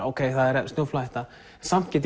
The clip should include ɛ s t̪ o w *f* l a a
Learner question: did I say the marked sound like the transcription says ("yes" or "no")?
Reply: yes